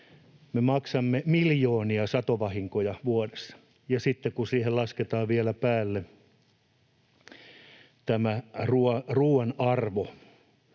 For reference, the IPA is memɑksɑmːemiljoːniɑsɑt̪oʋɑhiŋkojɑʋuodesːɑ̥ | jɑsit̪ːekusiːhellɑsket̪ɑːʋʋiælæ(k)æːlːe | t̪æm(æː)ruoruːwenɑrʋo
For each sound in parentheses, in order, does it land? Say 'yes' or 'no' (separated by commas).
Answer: no, no